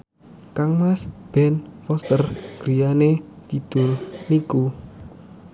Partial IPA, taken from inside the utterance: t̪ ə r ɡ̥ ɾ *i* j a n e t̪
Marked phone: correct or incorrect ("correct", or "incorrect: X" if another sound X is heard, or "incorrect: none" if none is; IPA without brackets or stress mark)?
correct